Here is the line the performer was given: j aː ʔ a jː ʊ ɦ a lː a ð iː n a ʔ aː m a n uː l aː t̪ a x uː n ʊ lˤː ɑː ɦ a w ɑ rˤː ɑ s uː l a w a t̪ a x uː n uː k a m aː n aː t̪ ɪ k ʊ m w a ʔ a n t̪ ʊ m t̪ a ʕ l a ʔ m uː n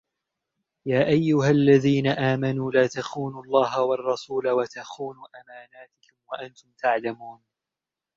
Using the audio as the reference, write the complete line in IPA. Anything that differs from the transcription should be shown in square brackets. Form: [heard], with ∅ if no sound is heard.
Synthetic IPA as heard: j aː ʔ a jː ʊ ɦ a lː a ð iː n a ʔ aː m a n uː l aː t̪ a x uː n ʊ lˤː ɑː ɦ a w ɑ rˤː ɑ s uː l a w a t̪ a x uː n uː [ʔ] a m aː n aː t̪ ɪ k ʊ m w a ʔ a n t̪ ʊ m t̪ a ʕ l a [∅] m uː n